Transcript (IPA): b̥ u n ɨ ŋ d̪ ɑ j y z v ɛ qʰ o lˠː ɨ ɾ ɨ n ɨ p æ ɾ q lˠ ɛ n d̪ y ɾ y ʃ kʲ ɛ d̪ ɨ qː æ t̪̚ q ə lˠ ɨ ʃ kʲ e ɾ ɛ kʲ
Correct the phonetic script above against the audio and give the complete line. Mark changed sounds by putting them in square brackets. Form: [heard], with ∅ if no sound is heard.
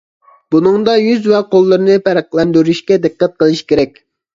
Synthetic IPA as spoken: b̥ u n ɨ ŋ d̪ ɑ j y z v ɛ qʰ o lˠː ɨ ɾ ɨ n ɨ p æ ɾ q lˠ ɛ n d̪ y ɾ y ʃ kʲ ɛ d̪ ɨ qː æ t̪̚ q ə lˠ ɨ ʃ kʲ e ɾ ɛ kʲ